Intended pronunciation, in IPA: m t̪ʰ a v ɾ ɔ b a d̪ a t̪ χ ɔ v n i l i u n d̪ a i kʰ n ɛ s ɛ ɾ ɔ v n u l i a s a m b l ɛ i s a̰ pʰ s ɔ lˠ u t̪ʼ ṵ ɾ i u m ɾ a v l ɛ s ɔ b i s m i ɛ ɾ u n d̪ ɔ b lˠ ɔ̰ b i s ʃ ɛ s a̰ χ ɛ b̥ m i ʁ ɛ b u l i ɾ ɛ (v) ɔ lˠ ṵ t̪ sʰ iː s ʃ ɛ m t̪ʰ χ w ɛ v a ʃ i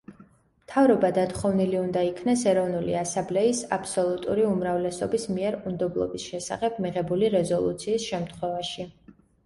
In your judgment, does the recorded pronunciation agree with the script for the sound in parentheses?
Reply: no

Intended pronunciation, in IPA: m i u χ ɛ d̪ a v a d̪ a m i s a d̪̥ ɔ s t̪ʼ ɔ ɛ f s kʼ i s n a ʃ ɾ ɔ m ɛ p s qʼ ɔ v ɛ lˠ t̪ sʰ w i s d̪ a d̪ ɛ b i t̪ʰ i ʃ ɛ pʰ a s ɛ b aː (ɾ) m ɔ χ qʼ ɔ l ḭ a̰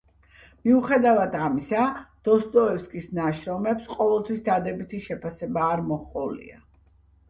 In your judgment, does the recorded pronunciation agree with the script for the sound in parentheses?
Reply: yes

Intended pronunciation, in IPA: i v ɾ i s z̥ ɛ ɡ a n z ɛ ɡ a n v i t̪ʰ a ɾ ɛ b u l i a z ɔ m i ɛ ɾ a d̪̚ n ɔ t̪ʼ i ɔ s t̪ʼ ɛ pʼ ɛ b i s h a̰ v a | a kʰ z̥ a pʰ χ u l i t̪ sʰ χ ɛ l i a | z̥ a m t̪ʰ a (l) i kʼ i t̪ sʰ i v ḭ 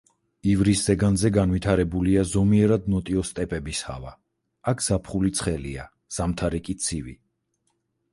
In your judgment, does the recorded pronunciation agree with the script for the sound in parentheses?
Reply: no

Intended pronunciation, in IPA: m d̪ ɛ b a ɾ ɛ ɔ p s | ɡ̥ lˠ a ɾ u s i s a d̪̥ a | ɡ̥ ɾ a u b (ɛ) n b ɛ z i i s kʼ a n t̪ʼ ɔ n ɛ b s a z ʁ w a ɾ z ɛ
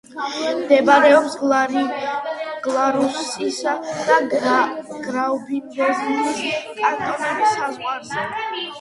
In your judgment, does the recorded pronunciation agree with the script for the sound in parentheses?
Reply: no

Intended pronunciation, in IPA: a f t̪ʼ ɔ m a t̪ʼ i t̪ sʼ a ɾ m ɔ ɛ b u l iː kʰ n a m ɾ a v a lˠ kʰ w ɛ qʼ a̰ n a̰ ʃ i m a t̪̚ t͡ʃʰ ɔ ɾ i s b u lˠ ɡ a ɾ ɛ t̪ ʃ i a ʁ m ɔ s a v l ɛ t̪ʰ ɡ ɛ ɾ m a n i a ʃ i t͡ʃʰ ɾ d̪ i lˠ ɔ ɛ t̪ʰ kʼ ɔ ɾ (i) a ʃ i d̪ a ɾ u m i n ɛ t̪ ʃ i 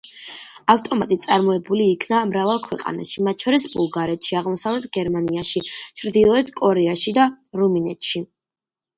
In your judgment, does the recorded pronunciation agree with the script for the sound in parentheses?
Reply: no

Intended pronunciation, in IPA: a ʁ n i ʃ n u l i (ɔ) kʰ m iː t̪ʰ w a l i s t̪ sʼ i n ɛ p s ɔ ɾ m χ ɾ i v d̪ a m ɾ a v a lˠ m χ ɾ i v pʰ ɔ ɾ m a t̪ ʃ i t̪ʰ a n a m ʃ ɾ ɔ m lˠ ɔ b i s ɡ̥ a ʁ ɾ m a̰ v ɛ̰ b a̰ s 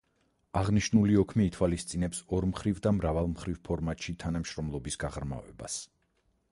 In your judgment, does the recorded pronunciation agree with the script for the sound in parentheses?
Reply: yes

